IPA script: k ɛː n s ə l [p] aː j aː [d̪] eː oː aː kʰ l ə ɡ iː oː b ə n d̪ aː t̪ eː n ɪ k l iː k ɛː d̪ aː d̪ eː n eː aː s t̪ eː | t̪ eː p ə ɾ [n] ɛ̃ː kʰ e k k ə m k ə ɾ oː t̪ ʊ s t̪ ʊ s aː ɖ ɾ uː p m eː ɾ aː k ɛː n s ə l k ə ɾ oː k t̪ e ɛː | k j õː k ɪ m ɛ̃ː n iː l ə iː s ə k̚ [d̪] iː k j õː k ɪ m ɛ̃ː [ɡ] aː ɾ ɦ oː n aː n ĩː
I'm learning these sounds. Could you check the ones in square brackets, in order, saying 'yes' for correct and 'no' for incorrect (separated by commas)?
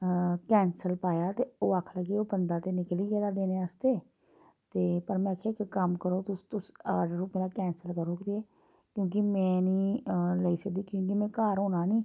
yes, no, no, yes, no